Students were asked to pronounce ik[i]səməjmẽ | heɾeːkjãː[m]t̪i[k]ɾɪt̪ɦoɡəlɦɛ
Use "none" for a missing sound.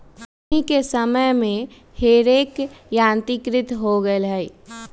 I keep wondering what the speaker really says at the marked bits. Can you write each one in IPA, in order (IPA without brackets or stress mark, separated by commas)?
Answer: e, n, k